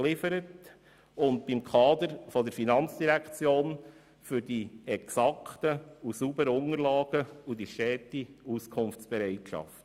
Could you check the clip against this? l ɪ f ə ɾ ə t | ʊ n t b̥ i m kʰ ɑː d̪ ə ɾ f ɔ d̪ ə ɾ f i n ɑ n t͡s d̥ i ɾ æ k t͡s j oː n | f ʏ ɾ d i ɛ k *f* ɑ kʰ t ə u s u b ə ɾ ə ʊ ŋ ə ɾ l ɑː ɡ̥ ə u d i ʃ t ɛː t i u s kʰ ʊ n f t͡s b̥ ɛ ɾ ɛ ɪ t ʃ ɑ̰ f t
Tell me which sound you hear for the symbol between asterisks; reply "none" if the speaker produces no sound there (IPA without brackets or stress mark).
s